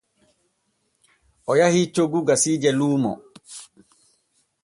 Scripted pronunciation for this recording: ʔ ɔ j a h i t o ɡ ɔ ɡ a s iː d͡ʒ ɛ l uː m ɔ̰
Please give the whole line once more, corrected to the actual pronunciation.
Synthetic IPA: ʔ ɔ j a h i t͡ʃ o ɡ u ɡ a s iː d͡ʒ ɛ l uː m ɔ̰